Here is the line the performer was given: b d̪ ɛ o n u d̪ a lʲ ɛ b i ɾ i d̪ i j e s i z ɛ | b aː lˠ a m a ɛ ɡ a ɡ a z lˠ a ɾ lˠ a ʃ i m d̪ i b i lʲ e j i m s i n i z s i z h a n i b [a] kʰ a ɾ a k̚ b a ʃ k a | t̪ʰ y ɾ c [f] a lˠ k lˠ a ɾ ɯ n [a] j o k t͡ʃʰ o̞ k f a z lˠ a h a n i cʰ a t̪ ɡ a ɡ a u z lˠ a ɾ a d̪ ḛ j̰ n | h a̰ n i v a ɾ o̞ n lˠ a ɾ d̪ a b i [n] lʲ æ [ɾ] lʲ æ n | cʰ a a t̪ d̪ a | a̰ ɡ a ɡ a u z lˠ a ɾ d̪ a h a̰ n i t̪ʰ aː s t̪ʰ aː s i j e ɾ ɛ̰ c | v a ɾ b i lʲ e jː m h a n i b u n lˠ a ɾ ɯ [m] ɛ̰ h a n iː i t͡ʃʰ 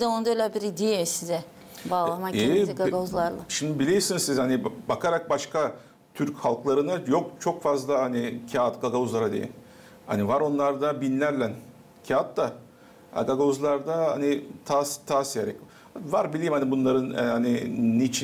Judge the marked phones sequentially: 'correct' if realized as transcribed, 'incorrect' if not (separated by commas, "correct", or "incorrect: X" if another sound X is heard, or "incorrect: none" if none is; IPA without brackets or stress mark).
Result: correct, incorrect: h, correct, correct, correct, incorrect: n